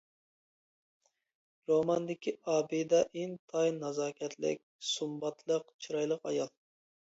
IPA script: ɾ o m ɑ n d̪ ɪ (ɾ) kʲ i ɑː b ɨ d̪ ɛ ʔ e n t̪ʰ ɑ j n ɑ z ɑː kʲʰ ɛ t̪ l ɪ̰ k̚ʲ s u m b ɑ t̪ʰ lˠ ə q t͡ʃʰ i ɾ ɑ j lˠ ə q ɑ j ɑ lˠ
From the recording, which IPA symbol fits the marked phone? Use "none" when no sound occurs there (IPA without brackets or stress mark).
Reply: none